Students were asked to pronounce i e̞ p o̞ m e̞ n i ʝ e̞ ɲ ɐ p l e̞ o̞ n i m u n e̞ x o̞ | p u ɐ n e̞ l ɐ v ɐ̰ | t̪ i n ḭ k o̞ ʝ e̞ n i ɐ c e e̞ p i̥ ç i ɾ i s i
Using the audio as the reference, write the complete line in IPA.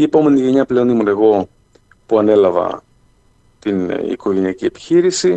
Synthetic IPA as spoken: i e̞ p o̞ m e̞ n i ʝ e̞ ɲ ɐ p l e̞ o̞ n i m u n e̞ ɣ o̞ | p u ɐ n e̞ l ɐ v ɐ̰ | t̪ i n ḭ k o̞ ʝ e̞ n i ɐ c i e̞ p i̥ ç i ɾ i s i